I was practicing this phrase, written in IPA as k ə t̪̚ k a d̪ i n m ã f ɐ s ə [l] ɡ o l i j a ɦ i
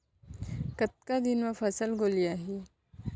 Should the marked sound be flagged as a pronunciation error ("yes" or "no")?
no